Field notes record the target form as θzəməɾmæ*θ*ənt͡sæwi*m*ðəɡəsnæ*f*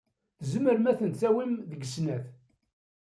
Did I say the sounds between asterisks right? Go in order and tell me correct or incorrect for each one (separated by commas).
correct, correct, incorrect